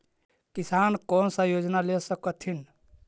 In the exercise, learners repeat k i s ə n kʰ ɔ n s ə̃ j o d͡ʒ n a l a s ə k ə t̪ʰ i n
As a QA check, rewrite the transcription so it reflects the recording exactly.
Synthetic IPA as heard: k i s a n k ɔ n s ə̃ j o d͡ʒ n a l e s ə k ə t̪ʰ i n